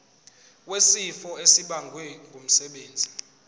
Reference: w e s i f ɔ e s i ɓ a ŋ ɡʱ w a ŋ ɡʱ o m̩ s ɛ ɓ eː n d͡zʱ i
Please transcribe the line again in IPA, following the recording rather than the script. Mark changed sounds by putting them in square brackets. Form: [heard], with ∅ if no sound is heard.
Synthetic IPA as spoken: w e s i f ɔ e s i ɓ a ŋ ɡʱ w [ɛ] ŋ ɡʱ o m̩ s ɛ ɓ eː n d͡zʱ i